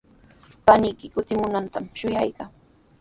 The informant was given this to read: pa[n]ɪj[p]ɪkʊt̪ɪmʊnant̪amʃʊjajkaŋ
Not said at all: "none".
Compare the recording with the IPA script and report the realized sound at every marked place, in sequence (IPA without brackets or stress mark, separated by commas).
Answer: n, k